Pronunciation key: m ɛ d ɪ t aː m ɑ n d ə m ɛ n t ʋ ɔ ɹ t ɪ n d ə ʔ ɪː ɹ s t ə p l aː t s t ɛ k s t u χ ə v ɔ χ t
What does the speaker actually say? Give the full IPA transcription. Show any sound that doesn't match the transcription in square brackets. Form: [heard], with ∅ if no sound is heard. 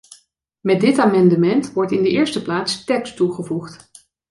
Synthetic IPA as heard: m ɛ d ɪ t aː m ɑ n d ə m ɛ n t ʋ ɔ ɹ t ɪ n d ə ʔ ɪː ɹ s t ə p l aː t s t ɛ k s t u χ ə v [u] χ t